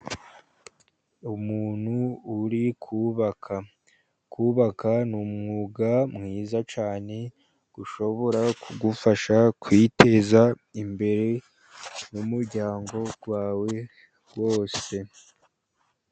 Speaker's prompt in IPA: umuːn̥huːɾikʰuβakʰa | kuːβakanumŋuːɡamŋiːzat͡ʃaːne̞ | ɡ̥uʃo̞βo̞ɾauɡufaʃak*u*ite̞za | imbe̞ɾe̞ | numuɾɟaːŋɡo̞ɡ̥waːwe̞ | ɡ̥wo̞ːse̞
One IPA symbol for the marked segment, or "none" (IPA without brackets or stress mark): w